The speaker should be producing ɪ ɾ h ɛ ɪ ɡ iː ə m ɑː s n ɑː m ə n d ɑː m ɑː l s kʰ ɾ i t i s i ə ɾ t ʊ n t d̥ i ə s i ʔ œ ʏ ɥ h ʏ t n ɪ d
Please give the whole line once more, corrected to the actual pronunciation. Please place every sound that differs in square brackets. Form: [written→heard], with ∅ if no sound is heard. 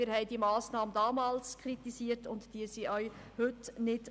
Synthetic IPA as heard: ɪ ɾ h ɛ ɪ [ɡ→d] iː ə m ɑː s n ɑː m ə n d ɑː m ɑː l s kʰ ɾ i t i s i ə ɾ t ʊ n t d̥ i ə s i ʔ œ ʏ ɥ h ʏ t n ɪ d